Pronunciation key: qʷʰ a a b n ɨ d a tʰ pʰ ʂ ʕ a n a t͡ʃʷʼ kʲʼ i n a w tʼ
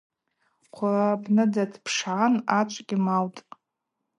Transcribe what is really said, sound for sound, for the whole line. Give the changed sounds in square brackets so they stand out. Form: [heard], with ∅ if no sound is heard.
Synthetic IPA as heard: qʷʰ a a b n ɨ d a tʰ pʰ ʂ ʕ a n a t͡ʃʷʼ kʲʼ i [m] a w tʼ